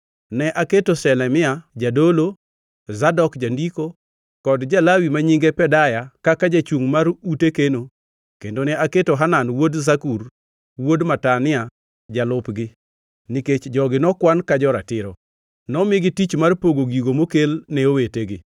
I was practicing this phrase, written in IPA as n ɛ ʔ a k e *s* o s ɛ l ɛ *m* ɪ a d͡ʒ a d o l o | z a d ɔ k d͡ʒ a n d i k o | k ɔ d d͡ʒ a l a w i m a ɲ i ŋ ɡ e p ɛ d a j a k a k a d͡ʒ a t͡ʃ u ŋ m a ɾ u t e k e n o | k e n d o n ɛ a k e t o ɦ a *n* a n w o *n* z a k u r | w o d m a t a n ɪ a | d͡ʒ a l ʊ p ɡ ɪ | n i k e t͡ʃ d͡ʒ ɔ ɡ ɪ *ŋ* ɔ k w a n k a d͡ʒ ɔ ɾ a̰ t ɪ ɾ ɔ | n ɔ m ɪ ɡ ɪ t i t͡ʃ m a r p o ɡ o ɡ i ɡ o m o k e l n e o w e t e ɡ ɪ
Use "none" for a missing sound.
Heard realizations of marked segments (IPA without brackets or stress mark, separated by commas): t, m, n, d, n